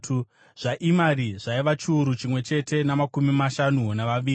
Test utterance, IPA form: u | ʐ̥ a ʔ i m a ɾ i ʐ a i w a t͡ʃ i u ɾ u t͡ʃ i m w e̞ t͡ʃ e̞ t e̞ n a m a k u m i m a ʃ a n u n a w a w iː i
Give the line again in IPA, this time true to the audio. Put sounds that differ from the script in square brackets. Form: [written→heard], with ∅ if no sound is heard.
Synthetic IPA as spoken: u | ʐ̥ a ʔ i m a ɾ i ʐ a i [w→ʋ] a t͡ʃ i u ɾ u t͡ʃ i m w e̞ t͡ʃ e̞ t e̞ n a m a k u m i m a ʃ a n u n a [w→ʋ] a [w→ʋ] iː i